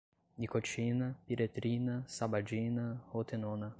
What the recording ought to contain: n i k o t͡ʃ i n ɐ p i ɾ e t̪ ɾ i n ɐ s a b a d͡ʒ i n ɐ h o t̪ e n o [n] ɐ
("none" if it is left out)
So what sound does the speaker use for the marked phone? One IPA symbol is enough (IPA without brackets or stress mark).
n